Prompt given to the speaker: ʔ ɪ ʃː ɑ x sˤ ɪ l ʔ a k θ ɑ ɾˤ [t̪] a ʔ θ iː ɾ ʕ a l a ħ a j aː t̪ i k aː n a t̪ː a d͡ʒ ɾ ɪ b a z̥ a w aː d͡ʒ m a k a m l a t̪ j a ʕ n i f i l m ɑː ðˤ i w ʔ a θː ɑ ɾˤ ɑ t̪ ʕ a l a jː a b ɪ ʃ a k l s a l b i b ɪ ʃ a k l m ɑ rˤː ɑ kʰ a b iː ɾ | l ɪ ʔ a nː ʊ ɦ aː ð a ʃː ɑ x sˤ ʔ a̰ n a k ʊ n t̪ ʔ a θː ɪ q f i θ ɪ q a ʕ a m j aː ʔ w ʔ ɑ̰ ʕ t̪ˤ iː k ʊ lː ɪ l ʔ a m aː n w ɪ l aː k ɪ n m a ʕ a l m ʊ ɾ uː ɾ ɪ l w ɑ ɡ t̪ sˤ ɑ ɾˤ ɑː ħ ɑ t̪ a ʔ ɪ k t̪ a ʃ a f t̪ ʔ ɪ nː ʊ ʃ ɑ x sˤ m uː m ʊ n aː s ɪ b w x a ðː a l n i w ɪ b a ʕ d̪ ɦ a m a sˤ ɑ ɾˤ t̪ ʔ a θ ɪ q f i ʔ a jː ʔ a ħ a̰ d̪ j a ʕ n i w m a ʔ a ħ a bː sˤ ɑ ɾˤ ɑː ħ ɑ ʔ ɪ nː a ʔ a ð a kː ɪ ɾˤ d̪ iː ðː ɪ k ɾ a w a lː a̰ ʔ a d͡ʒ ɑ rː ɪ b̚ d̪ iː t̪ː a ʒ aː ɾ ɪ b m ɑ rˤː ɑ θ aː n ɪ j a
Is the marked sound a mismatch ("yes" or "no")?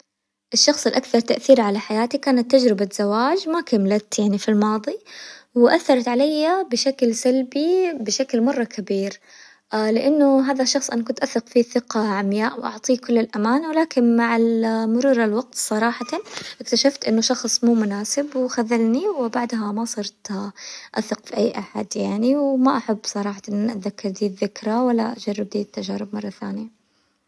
no